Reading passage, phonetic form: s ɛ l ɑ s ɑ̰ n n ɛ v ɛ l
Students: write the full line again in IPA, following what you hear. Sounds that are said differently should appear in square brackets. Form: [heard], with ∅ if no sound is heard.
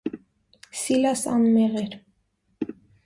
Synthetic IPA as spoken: s [i] l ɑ s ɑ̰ n [m] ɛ [ʁ] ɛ [ɾ]